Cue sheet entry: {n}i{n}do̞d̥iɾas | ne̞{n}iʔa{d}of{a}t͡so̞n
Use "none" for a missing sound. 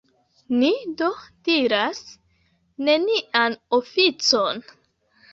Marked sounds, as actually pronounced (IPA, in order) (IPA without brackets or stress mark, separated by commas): n, none, n, n, i